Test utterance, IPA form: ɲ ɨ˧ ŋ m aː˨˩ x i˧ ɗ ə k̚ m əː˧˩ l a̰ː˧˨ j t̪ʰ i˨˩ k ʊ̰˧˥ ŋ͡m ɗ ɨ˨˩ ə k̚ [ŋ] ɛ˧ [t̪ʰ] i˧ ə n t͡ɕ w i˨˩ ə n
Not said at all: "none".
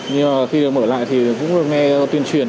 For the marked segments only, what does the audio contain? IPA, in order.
ŋ, t̪

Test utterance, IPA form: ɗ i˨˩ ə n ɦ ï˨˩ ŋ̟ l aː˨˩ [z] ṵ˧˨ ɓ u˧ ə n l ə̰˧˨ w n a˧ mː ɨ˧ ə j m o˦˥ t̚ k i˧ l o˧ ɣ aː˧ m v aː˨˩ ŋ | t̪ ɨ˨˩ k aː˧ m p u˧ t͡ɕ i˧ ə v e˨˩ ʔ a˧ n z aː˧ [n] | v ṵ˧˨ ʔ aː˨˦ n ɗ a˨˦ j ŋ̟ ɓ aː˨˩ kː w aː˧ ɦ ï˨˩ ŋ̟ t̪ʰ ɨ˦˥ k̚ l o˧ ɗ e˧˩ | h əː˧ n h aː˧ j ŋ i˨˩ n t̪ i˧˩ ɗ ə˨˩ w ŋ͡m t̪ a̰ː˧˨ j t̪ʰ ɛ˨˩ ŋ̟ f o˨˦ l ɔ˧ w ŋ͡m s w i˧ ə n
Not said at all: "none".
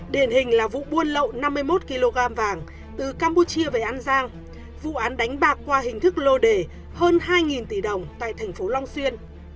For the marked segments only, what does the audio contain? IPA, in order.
v, ŋ

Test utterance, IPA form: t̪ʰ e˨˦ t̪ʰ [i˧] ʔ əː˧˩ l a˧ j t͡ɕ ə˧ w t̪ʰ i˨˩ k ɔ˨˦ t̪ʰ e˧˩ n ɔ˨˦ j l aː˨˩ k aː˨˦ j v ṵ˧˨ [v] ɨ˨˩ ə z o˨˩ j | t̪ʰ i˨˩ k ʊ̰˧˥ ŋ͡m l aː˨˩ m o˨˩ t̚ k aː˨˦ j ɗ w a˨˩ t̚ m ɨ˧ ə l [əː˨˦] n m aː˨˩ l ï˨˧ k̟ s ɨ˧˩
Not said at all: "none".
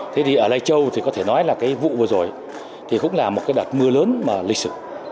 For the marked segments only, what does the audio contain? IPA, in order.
i˨˩, v, əː˨˦

